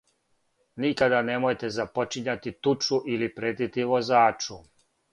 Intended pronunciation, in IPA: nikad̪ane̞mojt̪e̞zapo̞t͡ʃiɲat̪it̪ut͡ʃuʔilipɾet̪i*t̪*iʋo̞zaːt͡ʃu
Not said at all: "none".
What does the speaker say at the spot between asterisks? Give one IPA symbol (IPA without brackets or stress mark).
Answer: t̪